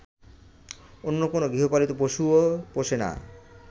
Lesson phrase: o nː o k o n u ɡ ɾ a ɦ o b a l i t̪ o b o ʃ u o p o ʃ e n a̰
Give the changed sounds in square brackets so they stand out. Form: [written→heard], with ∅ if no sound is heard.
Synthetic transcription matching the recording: o nː o k o n [u→o] ɡ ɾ [a→i] ɦ o [b→p] a l i t̪ o [b→p] o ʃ u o p o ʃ e n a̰